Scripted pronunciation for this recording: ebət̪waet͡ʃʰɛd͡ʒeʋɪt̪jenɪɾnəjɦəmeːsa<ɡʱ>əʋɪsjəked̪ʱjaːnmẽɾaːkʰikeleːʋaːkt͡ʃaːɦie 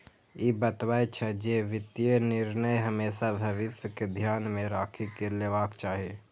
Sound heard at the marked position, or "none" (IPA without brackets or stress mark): bʱ